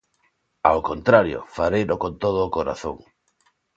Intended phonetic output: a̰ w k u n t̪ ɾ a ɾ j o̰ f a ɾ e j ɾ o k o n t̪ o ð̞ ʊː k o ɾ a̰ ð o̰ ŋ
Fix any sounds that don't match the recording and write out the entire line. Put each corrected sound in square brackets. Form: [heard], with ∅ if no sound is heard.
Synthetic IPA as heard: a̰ w k [o] n t̪ ɾ a ɾ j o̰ f a ɾ e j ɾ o k o n t̪ o ð̞ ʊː k o ɾ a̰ [θ] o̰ ŋ